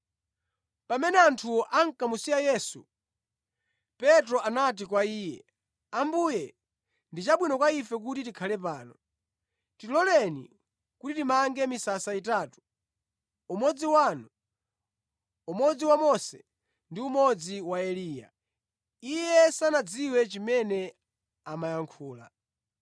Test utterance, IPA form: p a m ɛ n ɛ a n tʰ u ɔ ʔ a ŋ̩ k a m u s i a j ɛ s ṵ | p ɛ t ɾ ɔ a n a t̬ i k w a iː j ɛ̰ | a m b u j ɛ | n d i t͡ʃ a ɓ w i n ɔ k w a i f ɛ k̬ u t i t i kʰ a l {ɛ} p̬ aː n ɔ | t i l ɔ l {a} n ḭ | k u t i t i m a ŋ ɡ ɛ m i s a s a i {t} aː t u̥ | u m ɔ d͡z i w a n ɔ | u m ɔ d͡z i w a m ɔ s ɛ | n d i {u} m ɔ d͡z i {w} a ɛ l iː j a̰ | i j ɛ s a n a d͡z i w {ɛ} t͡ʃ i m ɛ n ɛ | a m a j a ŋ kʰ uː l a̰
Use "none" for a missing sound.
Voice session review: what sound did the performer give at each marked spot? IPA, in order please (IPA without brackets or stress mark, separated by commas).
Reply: ɛ, ɛ, t, u, w, ɛ